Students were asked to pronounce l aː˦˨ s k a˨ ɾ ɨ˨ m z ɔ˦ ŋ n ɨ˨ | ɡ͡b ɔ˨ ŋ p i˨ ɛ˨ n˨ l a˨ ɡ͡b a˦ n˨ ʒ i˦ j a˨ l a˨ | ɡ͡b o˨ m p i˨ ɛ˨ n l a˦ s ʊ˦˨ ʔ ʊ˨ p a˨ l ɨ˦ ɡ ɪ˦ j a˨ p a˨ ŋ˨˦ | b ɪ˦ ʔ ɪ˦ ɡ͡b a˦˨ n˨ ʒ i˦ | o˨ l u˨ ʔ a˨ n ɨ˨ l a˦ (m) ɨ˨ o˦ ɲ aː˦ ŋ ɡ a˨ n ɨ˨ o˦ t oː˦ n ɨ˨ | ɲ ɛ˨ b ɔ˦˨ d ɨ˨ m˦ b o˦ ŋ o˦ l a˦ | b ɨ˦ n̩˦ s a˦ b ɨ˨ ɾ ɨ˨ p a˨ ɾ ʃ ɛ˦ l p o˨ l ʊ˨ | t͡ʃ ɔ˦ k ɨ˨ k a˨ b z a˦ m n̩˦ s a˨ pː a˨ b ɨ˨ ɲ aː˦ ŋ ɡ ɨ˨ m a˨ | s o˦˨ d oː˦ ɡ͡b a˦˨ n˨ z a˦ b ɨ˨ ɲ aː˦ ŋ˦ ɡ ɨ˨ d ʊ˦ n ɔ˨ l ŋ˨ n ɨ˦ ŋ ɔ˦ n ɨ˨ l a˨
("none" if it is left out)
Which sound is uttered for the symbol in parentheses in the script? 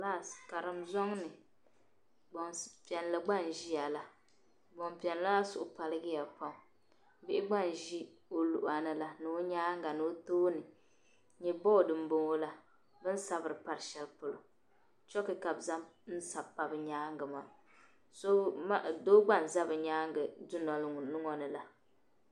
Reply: n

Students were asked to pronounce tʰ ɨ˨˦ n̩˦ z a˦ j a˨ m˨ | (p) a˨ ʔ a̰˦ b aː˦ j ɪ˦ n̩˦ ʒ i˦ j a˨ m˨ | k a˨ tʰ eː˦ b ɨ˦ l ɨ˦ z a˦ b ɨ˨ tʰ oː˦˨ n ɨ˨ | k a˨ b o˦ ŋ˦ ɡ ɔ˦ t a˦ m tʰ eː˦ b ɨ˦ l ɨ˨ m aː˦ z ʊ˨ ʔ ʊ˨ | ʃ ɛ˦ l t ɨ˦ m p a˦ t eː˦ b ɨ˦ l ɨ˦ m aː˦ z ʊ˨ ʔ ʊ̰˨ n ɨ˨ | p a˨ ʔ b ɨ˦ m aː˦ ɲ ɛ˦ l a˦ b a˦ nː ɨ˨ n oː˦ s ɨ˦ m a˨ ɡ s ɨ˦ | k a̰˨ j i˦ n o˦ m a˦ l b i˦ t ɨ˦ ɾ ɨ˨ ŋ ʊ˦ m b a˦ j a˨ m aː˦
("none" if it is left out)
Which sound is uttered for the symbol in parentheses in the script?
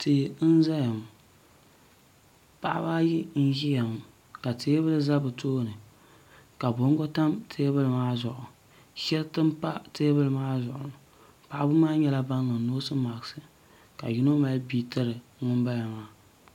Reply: p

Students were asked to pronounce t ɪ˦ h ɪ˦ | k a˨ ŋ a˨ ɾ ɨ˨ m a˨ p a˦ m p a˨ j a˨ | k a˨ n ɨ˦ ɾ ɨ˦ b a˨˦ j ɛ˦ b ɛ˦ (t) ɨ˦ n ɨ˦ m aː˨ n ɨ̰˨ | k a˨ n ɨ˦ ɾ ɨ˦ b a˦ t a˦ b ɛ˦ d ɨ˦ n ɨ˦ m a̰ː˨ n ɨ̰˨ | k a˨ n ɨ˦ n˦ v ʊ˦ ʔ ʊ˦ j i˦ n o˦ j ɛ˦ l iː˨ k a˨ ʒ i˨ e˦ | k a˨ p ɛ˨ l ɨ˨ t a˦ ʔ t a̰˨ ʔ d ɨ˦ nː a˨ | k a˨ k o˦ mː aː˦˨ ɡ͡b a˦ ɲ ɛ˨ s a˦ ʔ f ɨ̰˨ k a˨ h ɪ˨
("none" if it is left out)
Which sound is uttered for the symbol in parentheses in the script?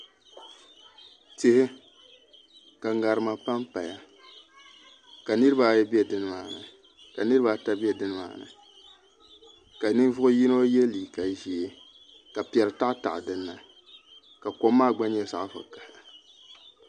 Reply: d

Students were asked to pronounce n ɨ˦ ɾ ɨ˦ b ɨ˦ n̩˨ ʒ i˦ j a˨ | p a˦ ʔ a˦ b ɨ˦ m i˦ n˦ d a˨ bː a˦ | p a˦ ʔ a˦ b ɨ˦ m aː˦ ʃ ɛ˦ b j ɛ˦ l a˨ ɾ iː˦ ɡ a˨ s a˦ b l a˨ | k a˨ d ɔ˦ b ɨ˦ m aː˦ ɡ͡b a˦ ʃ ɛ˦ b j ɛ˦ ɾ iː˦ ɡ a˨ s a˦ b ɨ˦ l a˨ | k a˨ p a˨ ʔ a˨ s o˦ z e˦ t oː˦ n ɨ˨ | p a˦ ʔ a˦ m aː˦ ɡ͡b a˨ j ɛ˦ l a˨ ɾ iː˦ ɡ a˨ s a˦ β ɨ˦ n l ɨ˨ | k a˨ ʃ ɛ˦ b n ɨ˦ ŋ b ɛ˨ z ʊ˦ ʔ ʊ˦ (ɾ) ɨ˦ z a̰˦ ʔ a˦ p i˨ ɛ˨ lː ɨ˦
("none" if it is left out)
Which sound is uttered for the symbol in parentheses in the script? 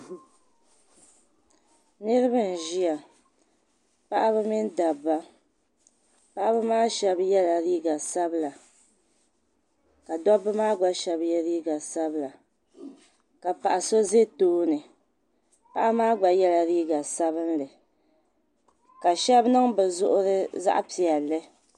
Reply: ɾ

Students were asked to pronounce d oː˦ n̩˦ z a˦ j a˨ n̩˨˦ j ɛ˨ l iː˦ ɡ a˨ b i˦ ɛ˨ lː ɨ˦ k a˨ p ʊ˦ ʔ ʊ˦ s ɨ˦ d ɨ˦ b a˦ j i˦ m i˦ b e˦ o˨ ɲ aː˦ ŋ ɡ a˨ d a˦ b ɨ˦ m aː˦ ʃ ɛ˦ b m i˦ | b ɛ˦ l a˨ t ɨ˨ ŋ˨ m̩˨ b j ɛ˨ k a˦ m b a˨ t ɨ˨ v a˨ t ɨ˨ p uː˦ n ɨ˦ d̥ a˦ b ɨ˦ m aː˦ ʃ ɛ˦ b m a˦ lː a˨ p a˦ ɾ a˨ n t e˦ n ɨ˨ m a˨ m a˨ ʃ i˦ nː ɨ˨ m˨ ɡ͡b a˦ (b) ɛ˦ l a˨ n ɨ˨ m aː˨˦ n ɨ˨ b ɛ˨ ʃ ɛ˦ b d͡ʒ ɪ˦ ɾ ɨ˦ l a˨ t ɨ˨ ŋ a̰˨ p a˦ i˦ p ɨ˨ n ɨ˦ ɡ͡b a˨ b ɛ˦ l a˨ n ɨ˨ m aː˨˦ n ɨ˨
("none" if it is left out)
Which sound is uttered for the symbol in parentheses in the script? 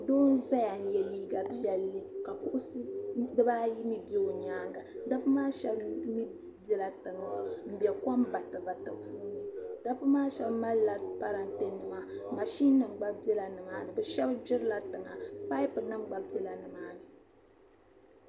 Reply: b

